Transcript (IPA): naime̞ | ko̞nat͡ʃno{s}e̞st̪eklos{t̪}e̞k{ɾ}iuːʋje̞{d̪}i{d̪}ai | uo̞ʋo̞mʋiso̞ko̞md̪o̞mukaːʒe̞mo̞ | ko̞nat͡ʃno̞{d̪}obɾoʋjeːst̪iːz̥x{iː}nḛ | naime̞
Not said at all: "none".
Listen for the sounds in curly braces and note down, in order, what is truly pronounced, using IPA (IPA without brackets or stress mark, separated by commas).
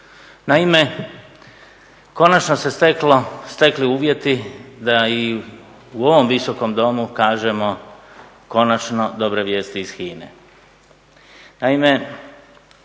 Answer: s, t̪, l, t̪, d̪, d̪, iː